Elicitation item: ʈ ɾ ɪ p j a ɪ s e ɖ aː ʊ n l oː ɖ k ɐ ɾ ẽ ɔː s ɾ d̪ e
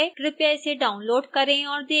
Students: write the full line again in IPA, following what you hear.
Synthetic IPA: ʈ ɾ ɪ p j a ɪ s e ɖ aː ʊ n l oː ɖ k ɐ ɾ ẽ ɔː ɾ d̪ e